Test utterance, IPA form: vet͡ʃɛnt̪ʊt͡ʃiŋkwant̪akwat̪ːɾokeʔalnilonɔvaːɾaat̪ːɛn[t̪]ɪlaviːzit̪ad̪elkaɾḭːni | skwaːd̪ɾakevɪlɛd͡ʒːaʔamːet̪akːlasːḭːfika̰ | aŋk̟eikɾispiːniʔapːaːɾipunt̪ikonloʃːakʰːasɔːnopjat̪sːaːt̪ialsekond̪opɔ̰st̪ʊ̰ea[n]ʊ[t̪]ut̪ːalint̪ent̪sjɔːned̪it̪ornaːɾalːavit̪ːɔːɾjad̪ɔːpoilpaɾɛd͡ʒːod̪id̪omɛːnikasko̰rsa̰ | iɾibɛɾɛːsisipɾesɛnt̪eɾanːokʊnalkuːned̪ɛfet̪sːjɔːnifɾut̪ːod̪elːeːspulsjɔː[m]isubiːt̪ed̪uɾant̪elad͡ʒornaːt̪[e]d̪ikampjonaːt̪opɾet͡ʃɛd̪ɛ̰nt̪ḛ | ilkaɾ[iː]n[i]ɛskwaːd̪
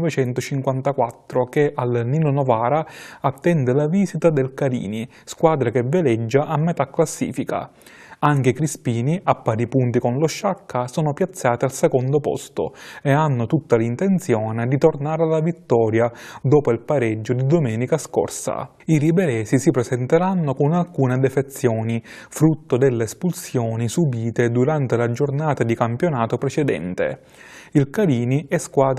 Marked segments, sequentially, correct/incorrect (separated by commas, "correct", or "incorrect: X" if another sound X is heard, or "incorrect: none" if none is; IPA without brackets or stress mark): incorrect: d̪, incorrect: nː, correct, incorrect: n, incorrect: a, correct, correct